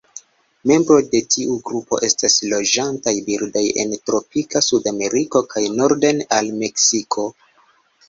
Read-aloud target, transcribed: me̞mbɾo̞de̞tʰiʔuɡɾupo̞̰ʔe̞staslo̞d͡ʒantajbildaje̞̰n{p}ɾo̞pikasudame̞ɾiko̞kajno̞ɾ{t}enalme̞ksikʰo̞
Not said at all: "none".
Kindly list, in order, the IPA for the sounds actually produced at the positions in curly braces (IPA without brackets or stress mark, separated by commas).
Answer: t, d